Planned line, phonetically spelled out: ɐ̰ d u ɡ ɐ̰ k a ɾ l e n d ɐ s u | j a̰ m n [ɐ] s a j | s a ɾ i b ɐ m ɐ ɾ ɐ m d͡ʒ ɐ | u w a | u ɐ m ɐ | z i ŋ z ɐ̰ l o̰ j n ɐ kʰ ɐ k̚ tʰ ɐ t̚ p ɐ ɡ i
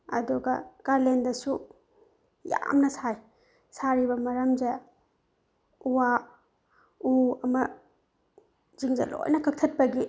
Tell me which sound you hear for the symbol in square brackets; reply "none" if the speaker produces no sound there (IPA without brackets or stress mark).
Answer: ɐ